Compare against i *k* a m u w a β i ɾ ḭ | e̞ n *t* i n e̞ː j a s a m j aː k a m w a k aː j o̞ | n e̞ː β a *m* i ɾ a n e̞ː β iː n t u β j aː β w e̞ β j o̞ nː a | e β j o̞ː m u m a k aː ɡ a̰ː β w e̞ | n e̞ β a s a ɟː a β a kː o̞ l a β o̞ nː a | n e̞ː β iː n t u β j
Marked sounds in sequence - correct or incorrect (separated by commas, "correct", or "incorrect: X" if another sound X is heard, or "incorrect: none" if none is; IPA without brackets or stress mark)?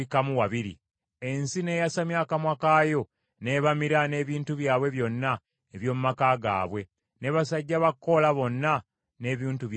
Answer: correct, incorrect: s, correct